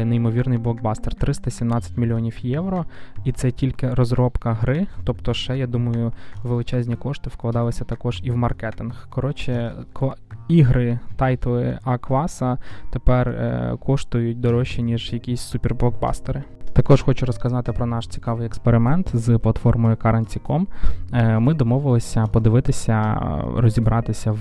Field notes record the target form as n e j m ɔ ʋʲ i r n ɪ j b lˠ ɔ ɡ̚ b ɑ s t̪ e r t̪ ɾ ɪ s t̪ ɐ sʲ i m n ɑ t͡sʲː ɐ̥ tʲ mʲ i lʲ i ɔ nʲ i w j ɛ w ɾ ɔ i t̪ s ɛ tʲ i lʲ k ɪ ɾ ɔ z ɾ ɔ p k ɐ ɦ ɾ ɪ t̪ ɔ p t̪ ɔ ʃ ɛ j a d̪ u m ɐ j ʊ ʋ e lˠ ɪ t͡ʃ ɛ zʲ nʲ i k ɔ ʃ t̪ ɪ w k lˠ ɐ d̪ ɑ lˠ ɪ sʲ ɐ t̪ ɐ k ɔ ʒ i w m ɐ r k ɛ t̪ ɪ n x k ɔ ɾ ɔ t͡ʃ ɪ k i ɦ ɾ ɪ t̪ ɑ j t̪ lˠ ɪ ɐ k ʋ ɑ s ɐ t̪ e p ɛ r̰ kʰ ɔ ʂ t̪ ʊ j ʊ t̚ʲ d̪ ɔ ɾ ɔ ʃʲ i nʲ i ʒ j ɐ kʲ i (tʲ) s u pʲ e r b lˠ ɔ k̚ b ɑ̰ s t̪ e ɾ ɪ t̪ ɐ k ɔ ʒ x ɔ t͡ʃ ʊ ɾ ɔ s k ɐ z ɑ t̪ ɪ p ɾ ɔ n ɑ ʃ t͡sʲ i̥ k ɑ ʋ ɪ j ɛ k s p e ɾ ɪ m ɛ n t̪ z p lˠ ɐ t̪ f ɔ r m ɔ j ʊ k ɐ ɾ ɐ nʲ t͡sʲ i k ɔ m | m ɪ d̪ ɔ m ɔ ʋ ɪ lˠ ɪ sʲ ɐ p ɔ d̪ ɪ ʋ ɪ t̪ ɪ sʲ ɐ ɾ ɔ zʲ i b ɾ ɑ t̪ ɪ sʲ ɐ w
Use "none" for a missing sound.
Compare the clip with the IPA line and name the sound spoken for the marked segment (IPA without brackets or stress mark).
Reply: sʲ